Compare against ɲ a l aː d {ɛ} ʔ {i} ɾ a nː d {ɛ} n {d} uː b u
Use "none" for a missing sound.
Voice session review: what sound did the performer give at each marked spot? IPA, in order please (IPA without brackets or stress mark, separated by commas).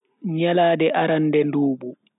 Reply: ɛ, a, ɛ, d